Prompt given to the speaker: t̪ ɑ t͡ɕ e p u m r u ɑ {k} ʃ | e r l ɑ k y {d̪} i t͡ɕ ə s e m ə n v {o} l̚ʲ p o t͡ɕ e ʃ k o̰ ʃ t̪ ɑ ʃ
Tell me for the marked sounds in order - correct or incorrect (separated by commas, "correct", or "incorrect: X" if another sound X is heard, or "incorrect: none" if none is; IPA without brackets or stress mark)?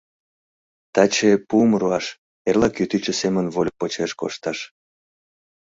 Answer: incorrect: none, incorrect: t̪, correct